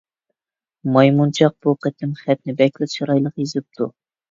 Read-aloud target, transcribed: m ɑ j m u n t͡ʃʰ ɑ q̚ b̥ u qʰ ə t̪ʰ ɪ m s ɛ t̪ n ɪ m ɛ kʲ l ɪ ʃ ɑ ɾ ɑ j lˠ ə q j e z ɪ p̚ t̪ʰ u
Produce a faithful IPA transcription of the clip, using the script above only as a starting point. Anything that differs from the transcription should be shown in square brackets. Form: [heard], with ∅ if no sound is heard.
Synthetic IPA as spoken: m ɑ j m u n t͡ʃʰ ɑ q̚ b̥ u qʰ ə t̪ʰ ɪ m [χ] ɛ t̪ n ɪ [b] ɛ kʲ l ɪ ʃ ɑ ɾ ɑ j lˠ ə q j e z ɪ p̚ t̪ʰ u